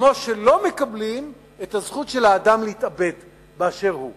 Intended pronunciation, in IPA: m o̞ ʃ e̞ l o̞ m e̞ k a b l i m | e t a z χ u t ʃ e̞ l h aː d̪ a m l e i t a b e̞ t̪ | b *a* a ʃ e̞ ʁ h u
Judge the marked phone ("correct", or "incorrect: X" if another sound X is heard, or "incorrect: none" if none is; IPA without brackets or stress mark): incorrect: e